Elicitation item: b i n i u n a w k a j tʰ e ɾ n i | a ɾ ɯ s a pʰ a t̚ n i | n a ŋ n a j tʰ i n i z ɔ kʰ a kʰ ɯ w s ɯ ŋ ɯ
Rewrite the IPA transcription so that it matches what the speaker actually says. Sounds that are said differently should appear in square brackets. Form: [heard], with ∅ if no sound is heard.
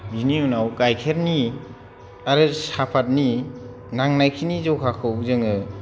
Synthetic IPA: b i n i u n a w k a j [kʰ] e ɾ n i | a ɾ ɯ s a pʰ a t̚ n i | n a ŋ n a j [kʰ] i n i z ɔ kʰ a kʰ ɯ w [z] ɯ ŋ ɯ